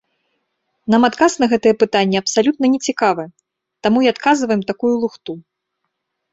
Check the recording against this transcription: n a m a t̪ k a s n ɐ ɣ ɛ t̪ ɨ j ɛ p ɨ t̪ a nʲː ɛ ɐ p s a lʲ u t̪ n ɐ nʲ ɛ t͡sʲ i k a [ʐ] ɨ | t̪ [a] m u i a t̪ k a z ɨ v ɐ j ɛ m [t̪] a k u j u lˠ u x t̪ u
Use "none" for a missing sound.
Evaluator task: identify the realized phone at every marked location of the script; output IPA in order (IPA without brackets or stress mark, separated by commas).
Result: v, a, t̪